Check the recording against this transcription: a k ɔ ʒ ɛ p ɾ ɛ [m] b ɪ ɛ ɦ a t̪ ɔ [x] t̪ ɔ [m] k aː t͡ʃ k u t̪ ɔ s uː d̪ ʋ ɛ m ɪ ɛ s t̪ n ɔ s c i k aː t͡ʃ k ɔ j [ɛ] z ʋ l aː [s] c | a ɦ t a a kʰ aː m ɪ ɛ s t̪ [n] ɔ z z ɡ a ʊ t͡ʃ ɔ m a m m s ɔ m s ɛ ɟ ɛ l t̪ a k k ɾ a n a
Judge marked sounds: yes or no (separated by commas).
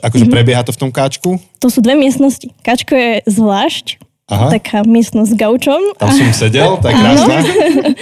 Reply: no, no, yes, yes, no, yes